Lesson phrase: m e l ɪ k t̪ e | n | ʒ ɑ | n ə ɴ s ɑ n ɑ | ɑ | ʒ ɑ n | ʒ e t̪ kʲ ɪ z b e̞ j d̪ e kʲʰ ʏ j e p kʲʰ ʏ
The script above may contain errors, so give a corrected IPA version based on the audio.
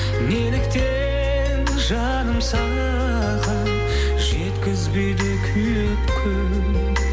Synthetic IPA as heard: m e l ɪ k t̪ e | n | ʒ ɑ | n ə m s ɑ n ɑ | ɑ | ʁ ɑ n | ʒ e t̪ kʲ ɪ z b e̞ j d̪ e kʲʰ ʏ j e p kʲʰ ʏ